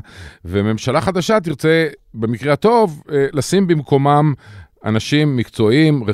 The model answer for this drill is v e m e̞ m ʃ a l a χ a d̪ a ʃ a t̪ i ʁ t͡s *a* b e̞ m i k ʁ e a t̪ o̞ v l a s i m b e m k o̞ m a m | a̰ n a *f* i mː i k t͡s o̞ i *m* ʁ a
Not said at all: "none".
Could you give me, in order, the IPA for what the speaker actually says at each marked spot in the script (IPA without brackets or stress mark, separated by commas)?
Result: e, ʃ, m